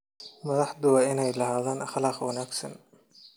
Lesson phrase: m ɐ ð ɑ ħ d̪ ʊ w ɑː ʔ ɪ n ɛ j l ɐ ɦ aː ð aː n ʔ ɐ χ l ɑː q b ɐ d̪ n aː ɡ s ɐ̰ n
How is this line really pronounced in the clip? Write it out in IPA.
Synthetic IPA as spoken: m ɐ ð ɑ ħ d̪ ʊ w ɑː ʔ ɪ n ɛ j l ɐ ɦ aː ð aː n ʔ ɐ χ l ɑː q w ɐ n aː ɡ s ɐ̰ n